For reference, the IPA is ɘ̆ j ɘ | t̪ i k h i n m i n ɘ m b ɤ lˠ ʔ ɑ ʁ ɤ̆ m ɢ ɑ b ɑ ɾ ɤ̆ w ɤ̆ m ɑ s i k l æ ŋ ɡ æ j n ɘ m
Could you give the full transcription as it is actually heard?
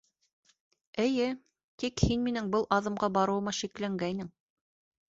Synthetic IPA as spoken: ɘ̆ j ɘ | t̪ i k h i n m i n ɘ ŋ b ɤ lˠ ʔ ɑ ð ɤ̆ m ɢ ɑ b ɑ ɾ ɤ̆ w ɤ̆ m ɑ ʃ i k l æ ŋ ɡ æ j n ɘ ŋ